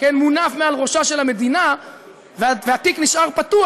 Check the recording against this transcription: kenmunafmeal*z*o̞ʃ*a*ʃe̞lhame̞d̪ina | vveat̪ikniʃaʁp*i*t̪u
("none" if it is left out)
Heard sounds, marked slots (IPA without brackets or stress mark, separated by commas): ʁ, a, a